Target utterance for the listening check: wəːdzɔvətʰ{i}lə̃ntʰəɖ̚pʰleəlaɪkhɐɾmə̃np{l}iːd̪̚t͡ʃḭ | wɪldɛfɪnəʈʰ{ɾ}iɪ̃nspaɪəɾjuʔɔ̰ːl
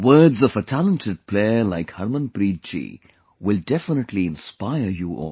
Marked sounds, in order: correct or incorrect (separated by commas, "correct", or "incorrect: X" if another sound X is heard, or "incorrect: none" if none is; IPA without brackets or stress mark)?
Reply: incorrect: æ, incorrect: ɾ, incorrect: l